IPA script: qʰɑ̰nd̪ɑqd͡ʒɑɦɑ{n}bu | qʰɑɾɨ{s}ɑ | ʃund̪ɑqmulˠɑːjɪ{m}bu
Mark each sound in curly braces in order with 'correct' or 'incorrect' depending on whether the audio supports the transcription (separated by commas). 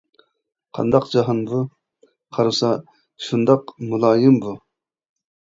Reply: correct, correct, correct